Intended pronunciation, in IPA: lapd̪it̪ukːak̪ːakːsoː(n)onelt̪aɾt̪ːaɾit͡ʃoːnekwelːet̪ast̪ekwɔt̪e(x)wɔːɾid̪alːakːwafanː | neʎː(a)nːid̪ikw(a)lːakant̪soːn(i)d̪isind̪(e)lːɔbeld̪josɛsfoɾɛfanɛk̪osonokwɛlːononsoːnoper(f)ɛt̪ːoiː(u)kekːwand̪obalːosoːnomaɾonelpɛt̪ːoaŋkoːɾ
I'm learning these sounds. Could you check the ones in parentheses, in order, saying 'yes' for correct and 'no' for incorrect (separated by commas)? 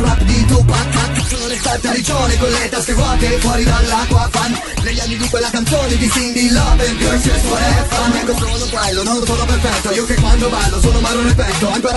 yes, no, yes, no, no, no, yes, no